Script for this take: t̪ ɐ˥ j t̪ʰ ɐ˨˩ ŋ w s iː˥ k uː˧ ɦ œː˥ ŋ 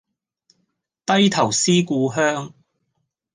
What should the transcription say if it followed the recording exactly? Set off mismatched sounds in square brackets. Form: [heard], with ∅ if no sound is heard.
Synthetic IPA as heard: t̪ ɐ˥ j t̪ʰ ɐ˨˩ [∅] w s iː˥ k uː˧ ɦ œː˥ ŋ